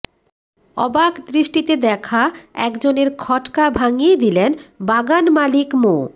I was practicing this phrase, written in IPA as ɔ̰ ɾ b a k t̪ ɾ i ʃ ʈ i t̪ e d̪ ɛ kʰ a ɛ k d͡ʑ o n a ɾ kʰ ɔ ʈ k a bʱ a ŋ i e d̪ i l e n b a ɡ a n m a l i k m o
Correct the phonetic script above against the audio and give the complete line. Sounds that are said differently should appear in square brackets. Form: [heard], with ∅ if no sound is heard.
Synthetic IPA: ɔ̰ [∅] b a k [d̪] ɾ i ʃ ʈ i t̪ e d̪ ɛ kʰ a ɛ k d͡ʑ o n [e] ɾ kʰ ɔ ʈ k a bʱ a ŋ i e d̪ i l e n b a ɡ a n m a l i k m o